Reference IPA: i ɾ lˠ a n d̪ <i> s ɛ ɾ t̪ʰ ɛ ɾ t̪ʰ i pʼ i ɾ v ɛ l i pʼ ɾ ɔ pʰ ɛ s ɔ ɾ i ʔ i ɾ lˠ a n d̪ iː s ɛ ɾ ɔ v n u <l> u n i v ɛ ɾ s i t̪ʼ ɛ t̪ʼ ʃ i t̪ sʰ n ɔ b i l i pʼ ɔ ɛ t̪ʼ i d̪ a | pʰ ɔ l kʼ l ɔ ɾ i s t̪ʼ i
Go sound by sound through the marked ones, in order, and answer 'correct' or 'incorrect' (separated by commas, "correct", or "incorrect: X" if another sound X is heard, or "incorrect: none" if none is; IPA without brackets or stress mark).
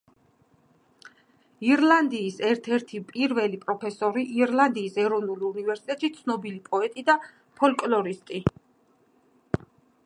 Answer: incorrect: iː, correct